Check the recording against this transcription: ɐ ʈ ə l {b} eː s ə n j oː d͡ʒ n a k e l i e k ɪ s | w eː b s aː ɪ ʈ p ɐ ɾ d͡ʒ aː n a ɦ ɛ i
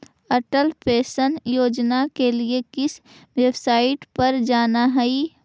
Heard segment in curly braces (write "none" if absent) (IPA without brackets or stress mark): p